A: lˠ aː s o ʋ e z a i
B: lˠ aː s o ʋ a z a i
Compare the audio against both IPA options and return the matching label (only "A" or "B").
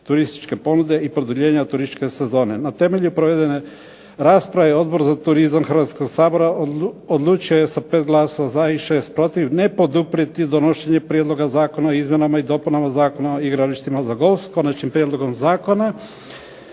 B